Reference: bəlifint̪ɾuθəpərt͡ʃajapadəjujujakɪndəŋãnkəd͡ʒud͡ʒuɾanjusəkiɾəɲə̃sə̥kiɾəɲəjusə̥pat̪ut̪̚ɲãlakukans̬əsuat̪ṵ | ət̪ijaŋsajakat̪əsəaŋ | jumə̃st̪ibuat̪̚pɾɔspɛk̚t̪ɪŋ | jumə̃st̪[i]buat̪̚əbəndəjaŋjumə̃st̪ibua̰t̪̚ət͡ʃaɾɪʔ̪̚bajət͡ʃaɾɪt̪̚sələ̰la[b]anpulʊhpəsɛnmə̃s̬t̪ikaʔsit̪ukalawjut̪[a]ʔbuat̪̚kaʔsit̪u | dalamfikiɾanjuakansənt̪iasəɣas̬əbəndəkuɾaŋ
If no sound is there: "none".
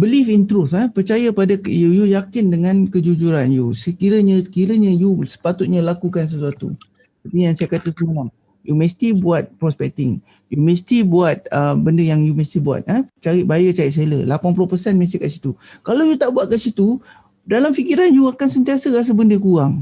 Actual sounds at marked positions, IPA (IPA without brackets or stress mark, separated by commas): i, p, a